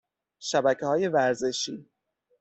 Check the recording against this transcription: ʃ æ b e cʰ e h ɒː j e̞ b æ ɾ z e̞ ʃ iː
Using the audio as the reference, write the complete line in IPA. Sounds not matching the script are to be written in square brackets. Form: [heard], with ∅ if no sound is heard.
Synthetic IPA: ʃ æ b [æ] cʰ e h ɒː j e̞ [v] æ ɾ z e̞ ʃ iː